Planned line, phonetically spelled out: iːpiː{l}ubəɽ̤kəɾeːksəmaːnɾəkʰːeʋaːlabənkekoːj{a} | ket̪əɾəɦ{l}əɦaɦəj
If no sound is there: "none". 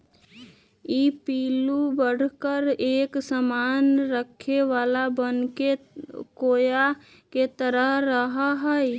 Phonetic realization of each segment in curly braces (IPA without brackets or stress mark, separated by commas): l, a, ɾ